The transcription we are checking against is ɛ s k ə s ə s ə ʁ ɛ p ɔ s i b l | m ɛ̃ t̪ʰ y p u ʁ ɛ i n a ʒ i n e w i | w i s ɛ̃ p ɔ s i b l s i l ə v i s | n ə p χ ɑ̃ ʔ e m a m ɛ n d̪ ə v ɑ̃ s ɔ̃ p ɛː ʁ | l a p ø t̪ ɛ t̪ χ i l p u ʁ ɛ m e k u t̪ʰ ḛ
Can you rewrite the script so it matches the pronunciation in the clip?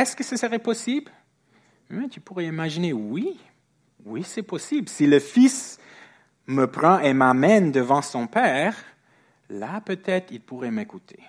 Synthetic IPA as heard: ɛ s k ə s ə s ə ʁ ɛ p ɔ s i b l | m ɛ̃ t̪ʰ y p u ʁ ɛ i m a ʒ i n e w i | w i s ɛ p ɔ s i b l s i l ə f i s | m ə p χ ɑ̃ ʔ e m a m ɛ n d̪ ə v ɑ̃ s ɔ̃ p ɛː ʁ | l a p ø t̪ ɛ t̪ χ i l p u ʁ ɛ m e k u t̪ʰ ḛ